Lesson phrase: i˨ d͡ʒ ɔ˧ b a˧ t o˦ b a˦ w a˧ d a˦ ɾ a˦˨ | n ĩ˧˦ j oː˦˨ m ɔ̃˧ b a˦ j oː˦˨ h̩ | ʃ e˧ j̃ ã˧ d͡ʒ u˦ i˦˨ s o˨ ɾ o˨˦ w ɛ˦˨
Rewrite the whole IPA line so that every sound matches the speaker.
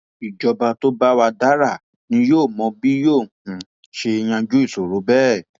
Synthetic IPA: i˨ d͡ʒ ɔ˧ b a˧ t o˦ b a˦ w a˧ d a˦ ɾ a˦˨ | n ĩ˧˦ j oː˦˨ m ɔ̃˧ b i˦ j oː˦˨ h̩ | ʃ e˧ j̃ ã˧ d͡ʒ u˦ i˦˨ s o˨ ɾ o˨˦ b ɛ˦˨

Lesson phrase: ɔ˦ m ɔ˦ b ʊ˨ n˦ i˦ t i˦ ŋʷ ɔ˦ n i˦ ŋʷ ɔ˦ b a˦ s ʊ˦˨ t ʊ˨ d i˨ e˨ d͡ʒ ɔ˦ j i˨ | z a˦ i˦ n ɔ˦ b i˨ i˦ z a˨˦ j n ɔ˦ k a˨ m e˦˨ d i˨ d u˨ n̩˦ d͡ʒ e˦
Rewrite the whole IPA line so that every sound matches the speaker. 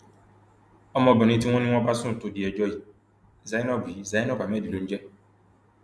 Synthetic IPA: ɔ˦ m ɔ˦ b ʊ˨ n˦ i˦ t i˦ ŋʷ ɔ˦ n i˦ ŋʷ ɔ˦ b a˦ s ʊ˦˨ t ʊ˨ d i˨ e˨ d͡ʒ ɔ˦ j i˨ | z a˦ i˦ n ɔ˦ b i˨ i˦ z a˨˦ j n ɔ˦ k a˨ m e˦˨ d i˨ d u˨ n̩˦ d͡ʒ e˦

